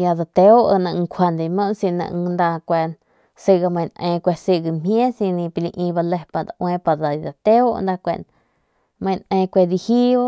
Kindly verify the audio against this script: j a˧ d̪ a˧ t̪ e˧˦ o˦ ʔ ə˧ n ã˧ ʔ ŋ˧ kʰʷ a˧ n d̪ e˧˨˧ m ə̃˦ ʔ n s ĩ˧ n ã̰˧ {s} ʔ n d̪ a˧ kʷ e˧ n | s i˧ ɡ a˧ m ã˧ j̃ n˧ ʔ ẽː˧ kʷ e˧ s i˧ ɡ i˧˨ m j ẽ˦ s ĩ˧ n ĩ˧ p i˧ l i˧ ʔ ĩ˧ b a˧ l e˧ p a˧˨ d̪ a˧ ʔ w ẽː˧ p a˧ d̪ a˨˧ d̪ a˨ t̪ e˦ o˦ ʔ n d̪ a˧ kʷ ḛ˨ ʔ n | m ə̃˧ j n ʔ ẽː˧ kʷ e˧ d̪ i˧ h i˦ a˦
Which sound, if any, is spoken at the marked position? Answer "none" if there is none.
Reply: none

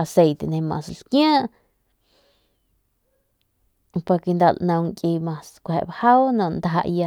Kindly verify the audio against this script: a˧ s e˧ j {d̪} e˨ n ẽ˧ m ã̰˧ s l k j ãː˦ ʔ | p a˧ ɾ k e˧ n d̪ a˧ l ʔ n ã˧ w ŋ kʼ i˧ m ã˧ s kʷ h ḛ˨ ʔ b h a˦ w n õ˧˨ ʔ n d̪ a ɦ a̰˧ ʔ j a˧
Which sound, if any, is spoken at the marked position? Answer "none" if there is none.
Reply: t̪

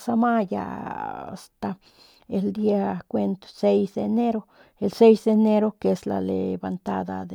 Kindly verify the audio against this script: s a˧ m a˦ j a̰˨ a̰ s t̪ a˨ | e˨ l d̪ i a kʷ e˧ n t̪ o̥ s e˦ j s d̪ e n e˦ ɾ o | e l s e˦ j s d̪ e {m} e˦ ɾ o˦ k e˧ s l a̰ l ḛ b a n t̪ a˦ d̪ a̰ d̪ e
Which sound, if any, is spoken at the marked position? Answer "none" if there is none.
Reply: n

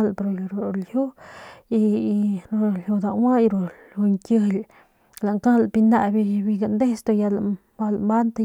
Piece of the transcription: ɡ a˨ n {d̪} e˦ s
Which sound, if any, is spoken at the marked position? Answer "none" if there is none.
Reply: d̪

